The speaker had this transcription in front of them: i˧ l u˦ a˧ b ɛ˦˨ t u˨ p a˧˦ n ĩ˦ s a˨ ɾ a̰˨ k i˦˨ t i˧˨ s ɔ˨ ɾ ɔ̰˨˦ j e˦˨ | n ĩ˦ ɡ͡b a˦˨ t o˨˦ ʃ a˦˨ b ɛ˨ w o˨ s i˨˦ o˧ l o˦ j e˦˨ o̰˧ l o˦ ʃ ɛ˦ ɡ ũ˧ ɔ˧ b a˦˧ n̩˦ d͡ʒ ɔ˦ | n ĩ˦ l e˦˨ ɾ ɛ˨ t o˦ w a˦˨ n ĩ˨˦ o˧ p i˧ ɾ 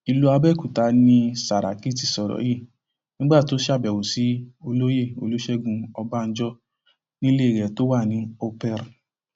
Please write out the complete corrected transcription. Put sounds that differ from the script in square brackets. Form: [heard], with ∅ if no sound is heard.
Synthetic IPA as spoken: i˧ l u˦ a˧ b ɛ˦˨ [k] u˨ [t] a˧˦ n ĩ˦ s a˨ ɾ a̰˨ k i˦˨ t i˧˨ s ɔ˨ ɾ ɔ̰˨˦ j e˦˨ | n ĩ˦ ɡ͡b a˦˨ t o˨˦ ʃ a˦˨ b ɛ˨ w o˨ s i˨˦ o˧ l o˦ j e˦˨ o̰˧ l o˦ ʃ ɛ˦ ɡ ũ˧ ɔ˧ b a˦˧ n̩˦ d͡ʒ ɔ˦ | n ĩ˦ l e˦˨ ɾ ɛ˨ t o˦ w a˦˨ n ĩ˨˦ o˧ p [ɛ˧] ɾ